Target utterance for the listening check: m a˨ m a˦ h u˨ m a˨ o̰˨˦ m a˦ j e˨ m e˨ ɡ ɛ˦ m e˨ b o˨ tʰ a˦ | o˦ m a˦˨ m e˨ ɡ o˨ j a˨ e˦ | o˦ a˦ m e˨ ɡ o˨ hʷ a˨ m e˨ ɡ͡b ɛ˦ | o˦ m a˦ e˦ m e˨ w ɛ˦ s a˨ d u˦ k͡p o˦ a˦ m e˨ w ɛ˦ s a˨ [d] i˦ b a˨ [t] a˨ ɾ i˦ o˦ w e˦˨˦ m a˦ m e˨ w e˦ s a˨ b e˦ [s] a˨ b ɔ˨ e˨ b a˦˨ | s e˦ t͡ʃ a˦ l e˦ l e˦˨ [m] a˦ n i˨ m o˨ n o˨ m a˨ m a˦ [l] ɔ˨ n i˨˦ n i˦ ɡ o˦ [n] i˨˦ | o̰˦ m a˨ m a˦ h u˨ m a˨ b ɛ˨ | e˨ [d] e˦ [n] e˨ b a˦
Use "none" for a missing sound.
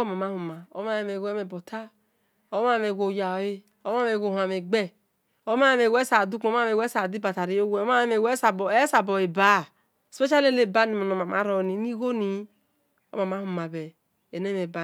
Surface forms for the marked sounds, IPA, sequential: d, t, s, b, ɾ, n, n, m

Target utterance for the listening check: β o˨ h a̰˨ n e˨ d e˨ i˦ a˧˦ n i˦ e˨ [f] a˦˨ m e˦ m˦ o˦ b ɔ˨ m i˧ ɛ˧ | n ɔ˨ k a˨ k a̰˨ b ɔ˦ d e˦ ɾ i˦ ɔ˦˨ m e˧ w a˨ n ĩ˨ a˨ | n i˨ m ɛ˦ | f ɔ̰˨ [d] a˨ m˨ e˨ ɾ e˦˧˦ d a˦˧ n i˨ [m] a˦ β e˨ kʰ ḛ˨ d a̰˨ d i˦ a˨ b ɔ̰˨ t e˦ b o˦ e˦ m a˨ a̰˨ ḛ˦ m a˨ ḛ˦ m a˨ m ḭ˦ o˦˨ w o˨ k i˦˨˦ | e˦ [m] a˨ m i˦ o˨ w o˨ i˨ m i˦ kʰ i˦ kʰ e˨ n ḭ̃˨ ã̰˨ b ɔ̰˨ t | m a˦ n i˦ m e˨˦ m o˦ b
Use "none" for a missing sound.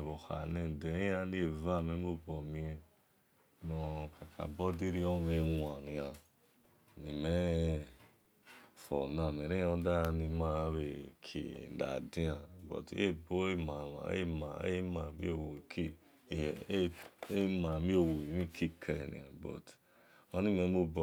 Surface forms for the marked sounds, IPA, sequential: v, n, m, m

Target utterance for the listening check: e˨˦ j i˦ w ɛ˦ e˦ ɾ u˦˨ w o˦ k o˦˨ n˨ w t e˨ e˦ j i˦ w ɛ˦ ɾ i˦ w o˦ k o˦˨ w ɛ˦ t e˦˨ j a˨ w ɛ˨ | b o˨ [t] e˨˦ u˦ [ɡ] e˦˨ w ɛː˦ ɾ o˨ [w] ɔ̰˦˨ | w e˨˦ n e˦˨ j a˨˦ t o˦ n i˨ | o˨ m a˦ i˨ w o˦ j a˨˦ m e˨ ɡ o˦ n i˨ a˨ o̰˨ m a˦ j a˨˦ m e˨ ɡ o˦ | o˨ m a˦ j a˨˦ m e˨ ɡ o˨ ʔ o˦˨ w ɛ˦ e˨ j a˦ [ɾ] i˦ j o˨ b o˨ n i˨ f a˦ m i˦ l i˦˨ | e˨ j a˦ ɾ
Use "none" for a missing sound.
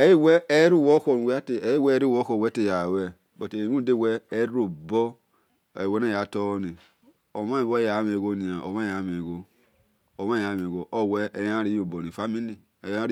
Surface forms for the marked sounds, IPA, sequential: t, d, b, ɾ

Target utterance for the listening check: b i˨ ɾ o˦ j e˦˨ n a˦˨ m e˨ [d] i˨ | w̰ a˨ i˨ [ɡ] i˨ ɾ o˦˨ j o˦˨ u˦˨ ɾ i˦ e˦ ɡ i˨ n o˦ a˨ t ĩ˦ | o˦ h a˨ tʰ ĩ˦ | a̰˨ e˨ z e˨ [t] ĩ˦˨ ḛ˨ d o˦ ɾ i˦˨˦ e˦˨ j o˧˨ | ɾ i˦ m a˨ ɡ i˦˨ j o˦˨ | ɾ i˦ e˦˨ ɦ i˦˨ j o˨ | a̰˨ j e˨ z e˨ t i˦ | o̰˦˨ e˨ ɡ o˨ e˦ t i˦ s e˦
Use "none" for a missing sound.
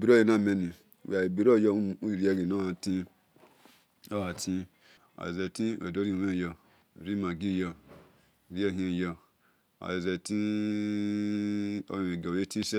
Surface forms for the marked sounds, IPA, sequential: n, b, t

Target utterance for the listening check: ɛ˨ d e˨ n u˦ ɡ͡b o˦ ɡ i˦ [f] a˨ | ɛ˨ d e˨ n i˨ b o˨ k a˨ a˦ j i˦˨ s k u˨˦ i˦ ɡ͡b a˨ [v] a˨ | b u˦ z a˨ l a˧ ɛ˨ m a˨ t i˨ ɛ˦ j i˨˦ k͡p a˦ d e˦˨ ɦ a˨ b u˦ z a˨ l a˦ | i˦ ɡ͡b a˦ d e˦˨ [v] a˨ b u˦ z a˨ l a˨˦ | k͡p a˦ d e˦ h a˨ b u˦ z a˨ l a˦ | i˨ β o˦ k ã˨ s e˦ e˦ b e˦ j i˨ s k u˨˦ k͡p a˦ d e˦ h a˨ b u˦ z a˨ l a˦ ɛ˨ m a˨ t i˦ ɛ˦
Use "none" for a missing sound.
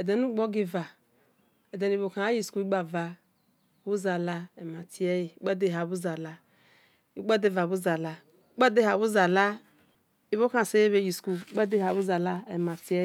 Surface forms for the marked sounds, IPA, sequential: v, v, v

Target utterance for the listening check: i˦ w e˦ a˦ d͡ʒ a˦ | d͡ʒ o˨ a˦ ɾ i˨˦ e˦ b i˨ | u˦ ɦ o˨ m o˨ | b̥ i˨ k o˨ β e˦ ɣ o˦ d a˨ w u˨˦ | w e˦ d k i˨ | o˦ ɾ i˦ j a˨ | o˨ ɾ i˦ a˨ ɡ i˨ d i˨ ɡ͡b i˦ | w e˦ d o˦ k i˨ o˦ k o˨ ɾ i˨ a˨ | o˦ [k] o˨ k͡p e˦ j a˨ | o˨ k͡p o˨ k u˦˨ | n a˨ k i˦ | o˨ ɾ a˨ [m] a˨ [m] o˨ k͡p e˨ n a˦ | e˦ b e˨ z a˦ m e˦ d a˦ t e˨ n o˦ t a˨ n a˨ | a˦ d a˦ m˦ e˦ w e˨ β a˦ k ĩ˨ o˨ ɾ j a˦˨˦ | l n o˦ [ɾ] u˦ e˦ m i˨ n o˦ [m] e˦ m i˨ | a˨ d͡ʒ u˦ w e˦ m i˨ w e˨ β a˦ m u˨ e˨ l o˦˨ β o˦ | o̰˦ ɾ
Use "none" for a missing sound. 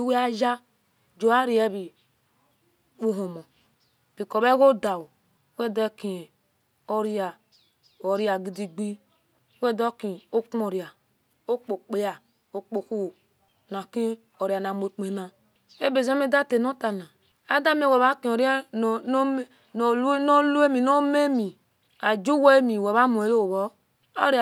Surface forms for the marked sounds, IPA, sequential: k͡p, n, m, l, m

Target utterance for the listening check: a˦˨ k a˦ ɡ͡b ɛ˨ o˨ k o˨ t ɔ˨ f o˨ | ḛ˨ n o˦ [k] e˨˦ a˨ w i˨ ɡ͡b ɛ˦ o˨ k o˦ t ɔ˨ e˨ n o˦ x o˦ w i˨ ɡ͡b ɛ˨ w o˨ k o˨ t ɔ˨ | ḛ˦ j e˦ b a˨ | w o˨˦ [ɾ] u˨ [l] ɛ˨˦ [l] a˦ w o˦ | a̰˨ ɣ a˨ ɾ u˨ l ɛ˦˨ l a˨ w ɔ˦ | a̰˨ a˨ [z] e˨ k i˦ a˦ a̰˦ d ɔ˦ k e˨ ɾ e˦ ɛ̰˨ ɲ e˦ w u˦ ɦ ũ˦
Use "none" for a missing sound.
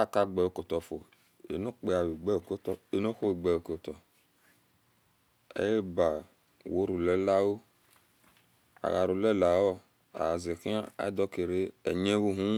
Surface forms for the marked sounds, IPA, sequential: k͡p, ɾ, l, l, z

